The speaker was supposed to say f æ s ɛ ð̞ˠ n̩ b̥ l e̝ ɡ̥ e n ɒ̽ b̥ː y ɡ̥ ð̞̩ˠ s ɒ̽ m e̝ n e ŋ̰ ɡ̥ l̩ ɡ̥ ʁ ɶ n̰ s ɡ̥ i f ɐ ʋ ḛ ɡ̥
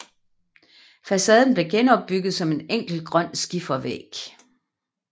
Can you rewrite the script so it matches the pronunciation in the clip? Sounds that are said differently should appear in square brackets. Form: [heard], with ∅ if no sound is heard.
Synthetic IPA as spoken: f æ s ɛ ð̞ˠ n̩ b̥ l e̝ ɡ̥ e n ɒ̽ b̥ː y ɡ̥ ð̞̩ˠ s ɒ̽ m e̝ n e ŋ̰ ɡ̥ l̩ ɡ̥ ʁ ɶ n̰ s ɡ̥ i f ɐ ʋ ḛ ɡ̥